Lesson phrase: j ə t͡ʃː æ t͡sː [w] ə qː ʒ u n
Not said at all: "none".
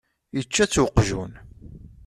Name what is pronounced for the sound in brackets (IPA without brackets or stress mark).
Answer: w